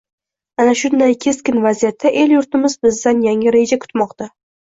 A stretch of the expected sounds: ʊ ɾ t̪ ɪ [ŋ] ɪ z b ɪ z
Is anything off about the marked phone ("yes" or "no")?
yes